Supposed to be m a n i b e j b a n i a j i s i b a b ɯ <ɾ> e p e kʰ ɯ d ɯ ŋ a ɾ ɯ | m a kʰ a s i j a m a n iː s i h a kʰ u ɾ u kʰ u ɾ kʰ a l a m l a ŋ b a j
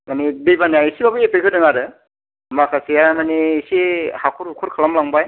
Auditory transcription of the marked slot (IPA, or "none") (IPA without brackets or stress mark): none